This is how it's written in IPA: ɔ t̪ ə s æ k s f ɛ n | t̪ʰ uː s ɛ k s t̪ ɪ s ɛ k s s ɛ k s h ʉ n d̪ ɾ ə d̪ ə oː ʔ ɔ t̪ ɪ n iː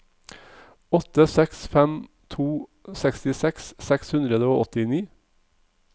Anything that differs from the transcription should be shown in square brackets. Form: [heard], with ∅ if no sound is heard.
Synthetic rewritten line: ɔ t̪ ə s [ɛ] k s f ɛ [m] | t̪ʰ uː s ɛ k s t̪ ɪ s ɛ k s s ɛ k s h ʉ n d̪ ɾ ə d̪ ə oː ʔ ɔ t̪ ɪ n iː